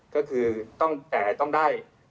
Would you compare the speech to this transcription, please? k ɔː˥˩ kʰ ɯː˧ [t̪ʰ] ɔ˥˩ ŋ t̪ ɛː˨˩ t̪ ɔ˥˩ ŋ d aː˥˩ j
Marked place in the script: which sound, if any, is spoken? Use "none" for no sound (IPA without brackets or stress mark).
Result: t̪